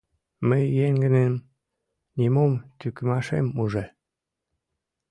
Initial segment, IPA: m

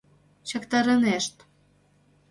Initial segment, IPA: t͡ɕ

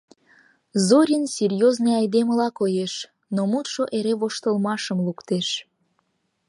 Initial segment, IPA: z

